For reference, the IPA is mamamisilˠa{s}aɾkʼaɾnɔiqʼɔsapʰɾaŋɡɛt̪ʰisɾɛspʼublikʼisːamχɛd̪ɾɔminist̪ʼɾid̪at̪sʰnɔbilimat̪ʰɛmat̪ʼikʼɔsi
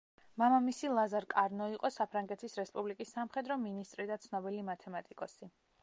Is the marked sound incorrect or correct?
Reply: incorrect